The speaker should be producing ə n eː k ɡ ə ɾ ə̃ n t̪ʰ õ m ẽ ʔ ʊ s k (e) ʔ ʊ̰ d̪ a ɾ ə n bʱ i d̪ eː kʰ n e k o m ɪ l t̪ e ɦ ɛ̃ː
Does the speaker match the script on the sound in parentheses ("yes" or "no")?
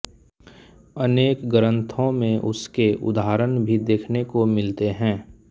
yes